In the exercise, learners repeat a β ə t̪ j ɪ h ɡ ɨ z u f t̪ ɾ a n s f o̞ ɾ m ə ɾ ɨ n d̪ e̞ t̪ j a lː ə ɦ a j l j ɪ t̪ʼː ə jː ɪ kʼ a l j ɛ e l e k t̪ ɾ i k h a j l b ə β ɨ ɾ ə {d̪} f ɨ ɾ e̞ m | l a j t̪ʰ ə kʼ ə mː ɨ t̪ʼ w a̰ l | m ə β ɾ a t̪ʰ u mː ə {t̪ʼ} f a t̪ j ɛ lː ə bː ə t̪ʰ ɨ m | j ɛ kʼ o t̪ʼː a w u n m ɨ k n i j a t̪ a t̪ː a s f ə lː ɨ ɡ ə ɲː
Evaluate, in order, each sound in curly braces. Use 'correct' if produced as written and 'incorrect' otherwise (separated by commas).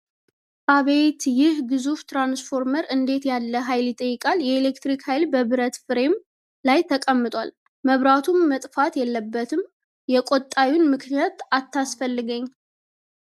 incorrect, correct